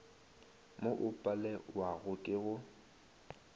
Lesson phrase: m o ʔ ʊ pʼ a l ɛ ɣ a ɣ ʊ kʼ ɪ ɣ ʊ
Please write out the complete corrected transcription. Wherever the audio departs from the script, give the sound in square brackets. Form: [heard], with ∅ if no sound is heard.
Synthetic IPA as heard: m o ʔ ʊ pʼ a l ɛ [w] a ɣ ʊ kʼ ɪ ɣ ʊ